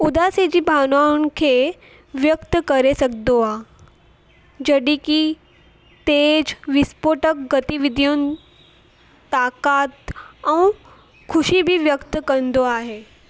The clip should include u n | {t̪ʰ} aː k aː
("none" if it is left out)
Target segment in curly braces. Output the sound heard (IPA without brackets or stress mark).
t̪